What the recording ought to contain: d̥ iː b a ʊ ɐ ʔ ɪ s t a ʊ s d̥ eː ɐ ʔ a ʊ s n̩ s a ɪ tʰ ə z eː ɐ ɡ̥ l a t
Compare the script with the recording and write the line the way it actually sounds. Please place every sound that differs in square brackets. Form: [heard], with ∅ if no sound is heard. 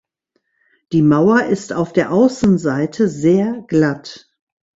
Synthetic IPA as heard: d̥ iː [m] a ʊ ɐ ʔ ɪ s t a ʊ [f] d̥ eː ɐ ʔ a ʊ s n̩ [z] a ɪ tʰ ə z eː ɐ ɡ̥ l a t